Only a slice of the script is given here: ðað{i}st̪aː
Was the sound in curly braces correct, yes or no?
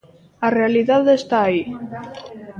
no